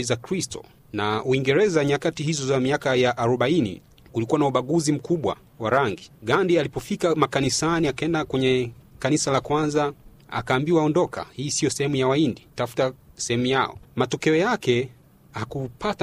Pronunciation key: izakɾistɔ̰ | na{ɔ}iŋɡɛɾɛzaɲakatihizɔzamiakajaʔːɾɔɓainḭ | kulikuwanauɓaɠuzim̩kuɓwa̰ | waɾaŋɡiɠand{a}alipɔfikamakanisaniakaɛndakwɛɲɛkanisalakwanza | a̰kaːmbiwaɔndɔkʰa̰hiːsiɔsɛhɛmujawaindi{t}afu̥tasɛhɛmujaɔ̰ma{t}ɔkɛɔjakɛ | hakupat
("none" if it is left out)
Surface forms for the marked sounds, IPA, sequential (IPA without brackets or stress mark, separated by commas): u, i, t, t